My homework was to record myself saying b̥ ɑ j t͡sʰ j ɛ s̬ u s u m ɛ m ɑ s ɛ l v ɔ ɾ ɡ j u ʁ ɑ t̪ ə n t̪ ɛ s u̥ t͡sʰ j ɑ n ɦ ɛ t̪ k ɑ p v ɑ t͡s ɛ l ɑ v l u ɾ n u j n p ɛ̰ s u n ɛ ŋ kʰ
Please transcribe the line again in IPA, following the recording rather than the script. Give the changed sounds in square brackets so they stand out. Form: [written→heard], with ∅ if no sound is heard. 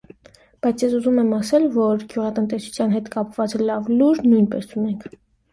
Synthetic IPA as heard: b̥ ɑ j t͡sʰ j ɛ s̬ u [s→z] u m ɛ m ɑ s ɛ l v ɔ ɾ ɡ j u ʁ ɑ t̪ ə n t̪ ɛ s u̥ t͡sʰ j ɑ n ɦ ɛ t̪ k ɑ p v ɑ t͡s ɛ l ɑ v l u ɾ n u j n p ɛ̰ s u n ɛ ŋ kʰ